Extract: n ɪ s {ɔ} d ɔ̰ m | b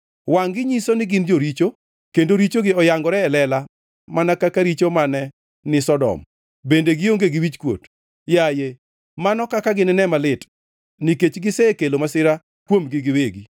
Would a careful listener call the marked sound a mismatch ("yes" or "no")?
no